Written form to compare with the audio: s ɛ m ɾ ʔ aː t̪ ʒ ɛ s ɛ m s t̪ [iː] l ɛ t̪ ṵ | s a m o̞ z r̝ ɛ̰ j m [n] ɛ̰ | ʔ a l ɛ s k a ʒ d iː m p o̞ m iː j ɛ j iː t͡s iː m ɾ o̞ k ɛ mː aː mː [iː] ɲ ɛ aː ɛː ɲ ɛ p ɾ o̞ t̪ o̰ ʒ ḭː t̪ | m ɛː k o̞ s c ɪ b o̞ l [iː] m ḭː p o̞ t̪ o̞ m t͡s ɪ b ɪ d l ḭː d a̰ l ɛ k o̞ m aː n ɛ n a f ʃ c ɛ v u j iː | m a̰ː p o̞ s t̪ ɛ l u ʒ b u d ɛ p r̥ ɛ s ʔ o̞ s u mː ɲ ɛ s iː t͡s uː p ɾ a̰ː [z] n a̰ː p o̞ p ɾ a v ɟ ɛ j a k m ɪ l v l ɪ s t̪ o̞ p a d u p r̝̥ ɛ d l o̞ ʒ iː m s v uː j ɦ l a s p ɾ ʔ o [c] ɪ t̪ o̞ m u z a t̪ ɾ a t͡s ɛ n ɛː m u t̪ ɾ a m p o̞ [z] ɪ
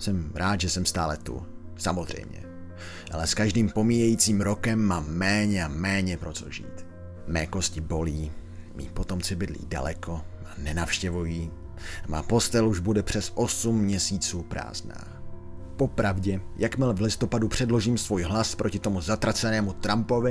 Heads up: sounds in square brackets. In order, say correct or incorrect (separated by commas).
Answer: incorrect, incorrect, incorrect, correct, correct, correct, incorrect